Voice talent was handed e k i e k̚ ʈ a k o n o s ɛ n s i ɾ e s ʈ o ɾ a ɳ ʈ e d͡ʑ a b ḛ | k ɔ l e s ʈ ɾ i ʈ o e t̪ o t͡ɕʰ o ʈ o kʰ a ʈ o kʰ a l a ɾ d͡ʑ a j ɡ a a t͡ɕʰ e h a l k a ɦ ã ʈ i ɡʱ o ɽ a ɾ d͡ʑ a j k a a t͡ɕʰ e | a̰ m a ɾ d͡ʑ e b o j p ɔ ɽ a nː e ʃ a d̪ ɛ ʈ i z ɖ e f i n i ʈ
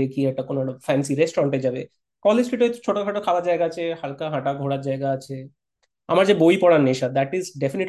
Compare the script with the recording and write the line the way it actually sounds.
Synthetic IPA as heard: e k i ɛ k̚ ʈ a k o n o f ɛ n s i ɾ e s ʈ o ɾ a ɳ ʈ e d͡ʑ a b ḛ | k ɔ l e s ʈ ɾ i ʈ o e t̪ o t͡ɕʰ o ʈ o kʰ a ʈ o kʰ a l a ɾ d͡ʑ a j ɡ a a t͡ɕʰ e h a l k a ɦ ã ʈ a ɡʱ o ɽ a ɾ d͡ʑ a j ɡ a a t͡ɕʰ e | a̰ m a ɾ d͡ʑ e b o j p ɔ ɽ a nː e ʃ a d̪ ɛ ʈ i z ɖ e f i n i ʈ